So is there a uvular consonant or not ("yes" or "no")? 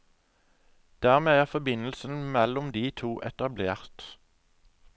yes